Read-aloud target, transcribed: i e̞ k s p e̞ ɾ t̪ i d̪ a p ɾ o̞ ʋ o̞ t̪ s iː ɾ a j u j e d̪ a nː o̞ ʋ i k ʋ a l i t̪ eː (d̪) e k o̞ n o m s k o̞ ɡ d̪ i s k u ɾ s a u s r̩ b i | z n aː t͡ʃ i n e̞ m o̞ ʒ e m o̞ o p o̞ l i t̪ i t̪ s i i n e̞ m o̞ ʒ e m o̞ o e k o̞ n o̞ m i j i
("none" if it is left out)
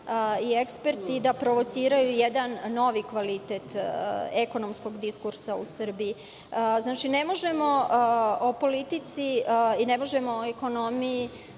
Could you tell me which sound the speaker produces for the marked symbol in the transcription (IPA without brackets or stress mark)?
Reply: t̪